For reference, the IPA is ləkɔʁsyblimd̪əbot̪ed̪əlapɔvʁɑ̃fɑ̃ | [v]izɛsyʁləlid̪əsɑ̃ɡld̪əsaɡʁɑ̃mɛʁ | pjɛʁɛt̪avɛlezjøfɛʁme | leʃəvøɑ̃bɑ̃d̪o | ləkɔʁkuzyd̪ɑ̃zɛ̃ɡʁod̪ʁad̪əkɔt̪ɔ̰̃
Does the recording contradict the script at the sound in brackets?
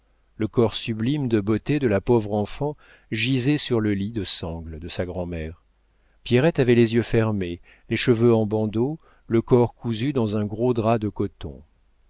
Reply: yes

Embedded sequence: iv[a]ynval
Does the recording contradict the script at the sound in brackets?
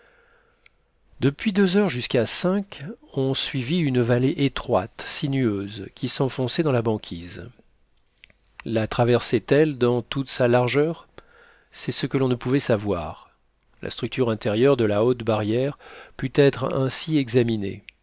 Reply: yes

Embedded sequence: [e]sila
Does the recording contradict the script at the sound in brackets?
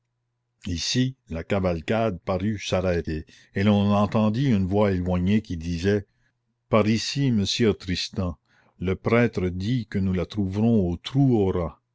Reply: yes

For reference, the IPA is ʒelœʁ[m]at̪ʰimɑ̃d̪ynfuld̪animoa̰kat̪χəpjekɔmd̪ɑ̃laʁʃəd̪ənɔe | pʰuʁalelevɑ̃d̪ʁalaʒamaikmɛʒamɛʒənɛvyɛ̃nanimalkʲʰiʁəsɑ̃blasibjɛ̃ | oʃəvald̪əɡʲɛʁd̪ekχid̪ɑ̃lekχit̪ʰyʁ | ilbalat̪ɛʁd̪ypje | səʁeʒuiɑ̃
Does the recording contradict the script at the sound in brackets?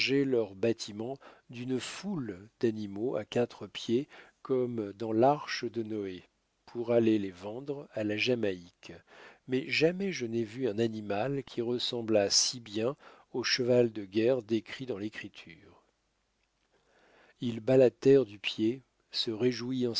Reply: yes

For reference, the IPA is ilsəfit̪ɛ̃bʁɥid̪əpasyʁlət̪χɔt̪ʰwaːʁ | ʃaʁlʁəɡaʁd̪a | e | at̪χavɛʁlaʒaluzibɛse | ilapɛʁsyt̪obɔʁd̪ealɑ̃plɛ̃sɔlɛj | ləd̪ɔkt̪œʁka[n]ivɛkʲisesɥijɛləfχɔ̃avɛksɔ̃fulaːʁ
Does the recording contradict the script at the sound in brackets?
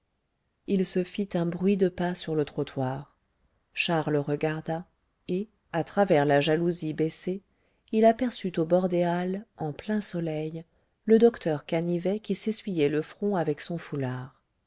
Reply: no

